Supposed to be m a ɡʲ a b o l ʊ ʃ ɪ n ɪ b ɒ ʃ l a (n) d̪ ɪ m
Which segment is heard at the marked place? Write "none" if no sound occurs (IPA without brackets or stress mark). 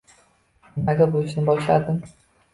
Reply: none